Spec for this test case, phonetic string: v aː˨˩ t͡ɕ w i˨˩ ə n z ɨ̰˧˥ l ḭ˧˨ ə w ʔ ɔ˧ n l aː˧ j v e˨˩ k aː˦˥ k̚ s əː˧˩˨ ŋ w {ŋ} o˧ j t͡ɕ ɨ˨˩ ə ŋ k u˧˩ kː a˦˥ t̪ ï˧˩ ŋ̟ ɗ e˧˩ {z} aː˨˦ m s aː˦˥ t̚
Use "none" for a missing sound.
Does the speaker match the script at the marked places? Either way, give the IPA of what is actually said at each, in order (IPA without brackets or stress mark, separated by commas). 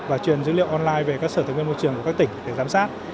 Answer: m, z